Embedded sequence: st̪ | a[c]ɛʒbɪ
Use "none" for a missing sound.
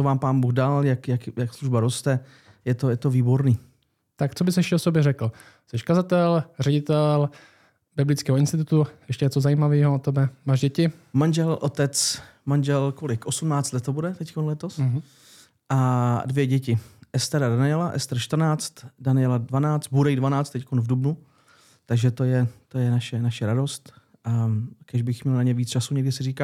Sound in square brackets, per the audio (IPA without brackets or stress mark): k